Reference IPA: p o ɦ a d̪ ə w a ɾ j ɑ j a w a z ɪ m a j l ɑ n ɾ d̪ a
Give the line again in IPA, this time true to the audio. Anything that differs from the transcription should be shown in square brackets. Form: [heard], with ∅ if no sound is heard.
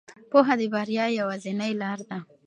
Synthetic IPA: p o ɦ a d̪ ə [b] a ɾ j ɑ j a w a z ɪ [n] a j l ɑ [∅] ɾ d̪ a